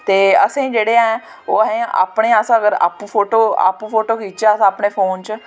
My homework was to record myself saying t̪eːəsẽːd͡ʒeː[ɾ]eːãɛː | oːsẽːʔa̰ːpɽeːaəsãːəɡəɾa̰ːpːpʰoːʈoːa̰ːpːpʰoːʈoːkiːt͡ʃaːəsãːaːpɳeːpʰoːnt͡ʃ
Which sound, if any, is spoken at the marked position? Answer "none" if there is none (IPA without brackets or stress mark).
ɽ